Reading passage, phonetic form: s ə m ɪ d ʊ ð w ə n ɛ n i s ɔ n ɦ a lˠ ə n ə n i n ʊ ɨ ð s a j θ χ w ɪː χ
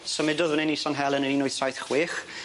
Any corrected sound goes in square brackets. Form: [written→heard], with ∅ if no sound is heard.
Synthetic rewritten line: s ə m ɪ d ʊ ð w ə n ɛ n i s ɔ n ɦ [a→ɛ] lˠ ə n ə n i n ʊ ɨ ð s a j θ χ w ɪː χ